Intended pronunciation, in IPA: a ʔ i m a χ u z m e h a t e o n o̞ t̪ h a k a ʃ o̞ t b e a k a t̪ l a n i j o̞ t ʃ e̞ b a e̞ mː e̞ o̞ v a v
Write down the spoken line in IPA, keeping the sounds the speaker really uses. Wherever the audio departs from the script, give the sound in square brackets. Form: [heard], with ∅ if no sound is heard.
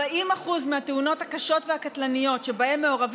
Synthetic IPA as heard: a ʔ i m a χ u z m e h a t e [u] n o̞ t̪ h a k a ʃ o̞ t [v] e a k a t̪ l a n i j o̞ t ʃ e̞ b a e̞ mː e̞ o̞ [ʁ] a v